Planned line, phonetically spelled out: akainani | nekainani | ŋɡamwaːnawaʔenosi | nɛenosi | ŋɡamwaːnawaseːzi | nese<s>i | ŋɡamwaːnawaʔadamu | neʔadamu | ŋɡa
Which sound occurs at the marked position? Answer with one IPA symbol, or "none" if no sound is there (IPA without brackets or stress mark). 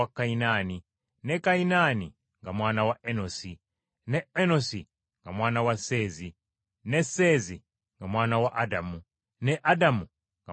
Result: z